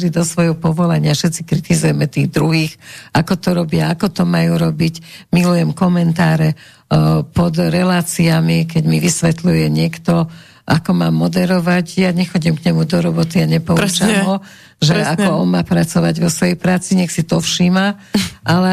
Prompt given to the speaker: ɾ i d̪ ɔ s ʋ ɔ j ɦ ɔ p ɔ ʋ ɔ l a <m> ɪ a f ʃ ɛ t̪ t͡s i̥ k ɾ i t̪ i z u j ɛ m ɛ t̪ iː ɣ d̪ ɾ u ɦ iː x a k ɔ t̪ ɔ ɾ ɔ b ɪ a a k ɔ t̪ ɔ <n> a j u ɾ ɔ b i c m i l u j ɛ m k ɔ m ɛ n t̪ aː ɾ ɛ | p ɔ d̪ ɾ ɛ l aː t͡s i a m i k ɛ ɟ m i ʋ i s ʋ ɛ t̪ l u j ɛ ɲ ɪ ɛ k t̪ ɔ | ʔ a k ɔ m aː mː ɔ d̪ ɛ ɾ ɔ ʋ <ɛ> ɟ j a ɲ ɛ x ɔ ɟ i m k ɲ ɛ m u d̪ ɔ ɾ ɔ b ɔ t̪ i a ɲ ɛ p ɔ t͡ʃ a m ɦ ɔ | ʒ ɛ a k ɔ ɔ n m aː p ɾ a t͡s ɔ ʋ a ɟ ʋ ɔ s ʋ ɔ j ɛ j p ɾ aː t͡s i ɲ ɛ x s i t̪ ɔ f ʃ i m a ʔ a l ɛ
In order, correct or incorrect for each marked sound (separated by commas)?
incorrect, incorrect, incorrect